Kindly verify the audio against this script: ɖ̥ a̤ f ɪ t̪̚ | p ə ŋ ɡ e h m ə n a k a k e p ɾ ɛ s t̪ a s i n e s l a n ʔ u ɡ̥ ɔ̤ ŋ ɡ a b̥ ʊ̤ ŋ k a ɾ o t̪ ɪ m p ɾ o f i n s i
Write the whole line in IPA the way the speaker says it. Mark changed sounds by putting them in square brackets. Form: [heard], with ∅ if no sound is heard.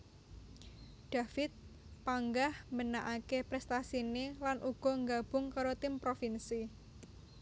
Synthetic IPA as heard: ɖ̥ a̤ f ɪ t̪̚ | p [a] ŋ ɡ [a] h m ə n a [ʔ] a k e p ɾ ɛ s t̪ a s i n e [∅] l a n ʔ u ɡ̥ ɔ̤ ŋ ɡ a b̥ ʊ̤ ŋ k a ɾ o t̪ ɪ m p ɾ o f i n s i